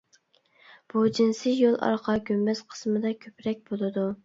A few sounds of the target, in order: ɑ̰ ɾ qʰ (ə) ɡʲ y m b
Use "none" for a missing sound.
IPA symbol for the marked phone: ɑ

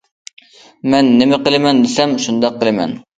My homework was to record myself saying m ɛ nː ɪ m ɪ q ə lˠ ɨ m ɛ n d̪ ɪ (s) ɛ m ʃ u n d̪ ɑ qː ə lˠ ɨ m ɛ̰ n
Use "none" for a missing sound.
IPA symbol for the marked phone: s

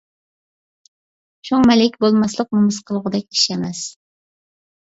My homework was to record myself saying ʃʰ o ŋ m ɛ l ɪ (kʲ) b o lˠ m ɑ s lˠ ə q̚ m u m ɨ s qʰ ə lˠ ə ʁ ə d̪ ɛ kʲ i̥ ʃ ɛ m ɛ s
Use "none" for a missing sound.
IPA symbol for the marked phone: kʲ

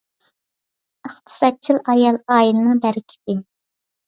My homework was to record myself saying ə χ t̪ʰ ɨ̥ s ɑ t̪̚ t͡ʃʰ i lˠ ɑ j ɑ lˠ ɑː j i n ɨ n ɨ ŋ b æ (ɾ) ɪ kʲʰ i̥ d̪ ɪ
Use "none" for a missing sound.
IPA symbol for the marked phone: ɾ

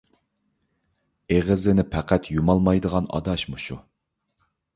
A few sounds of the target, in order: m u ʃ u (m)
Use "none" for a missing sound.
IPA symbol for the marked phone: none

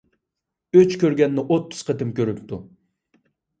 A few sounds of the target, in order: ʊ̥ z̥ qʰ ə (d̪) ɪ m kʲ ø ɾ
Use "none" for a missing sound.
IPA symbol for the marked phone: t̪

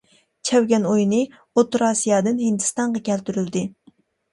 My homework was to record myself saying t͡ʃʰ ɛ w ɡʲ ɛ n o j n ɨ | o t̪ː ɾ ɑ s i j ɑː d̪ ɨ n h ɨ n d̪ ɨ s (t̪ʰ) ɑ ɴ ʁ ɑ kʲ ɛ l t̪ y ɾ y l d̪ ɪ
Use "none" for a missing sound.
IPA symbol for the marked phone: t̪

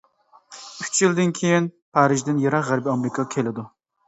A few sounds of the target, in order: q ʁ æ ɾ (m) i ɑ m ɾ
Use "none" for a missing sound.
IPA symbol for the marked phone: b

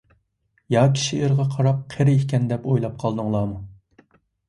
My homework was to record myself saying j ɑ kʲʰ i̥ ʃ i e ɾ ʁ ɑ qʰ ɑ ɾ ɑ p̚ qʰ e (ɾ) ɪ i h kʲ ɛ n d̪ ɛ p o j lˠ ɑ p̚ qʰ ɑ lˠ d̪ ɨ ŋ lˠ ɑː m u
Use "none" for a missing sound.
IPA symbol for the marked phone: ɾ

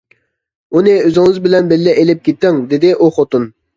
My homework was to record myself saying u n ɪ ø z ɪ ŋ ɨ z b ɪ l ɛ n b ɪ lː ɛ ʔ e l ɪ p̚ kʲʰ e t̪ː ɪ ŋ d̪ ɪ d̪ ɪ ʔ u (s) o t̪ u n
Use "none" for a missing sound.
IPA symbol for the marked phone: χ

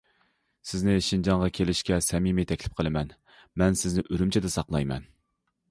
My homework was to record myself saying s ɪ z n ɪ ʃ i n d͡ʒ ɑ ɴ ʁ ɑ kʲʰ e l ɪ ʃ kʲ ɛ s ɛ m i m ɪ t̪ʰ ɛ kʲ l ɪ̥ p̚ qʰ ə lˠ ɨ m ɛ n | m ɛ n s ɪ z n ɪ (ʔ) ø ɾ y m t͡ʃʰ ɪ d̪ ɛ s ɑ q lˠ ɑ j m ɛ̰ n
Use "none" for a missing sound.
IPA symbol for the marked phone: ʔ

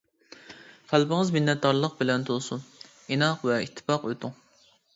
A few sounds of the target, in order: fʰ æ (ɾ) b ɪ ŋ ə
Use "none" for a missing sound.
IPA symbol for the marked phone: l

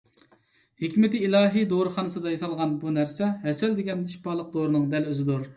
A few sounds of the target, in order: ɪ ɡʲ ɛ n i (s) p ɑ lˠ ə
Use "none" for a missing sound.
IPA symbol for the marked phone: ʃ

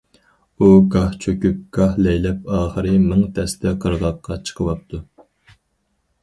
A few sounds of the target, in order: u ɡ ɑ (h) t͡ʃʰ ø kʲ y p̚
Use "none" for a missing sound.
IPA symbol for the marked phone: h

